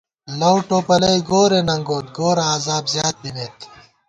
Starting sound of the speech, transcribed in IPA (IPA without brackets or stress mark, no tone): l